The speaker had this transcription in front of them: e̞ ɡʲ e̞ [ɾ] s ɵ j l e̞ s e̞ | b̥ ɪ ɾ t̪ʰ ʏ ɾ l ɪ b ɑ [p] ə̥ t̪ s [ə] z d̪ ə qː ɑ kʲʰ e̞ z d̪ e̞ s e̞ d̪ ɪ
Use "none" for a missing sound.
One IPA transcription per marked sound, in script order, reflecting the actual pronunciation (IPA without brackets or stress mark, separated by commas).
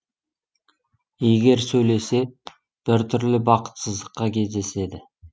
ɾ, q, ə